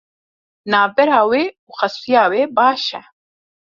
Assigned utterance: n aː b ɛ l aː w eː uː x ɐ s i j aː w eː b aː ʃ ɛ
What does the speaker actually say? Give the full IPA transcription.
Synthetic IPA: n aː b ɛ ɾ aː w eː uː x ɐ s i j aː w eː b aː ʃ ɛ